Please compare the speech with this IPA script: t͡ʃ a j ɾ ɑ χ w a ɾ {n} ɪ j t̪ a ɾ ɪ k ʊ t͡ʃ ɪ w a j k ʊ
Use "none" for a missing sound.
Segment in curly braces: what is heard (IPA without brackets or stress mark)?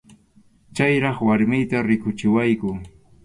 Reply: m